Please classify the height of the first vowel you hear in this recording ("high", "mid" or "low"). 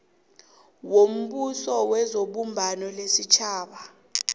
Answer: mid